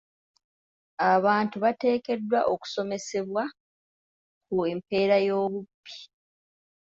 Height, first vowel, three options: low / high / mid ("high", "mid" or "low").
low